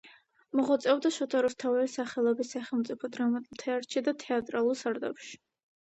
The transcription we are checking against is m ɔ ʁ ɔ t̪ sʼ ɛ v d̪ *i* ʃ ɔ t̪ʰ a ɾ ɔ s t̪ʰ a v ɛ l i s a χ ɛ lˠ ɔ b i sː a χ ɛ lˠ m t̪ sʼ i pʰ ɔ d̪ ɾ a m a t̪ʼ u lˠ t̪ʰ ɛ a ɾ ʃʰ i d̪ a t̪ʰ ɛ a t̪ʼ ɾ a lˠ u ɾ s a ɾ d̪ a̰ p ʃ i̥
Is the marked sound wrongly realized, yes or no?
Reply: yes